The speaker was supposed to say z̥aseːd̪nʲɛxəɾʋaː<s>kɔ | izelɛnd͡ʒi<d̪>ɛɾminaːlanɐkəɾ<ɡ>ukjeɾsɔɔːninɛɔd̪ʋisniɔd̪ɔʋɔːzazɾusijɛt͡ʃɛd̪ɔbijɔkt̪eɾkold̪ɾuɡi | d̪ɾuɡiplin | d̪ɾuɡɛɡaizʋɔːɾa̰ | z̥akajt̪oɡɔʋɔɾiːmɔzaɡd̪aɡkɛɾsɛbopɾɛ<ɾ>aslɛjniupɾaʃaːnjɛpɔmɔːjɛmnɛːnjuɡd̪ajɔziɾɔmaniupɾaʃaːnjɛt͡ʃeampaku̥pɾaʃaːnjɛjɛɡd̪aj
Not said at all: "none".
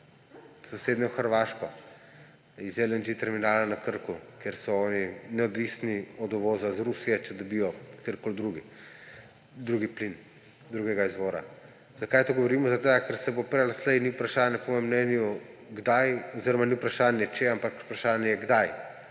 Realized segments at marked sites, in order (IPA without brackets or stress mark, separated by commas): ʃ, t̪, k, l